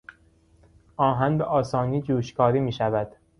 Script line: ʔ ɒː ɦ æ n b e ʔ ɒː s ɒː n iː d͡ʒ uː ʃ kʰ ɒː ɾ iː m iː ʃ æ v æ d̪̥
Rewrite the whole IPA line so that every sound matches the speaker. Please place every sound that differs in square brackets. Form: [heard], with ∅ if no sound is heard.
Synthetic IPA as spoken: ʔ ɒː ɦ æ n b e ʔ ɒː s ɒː n iː d͡ʒ uː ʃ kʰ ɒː ɾ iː m iː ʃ æ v æ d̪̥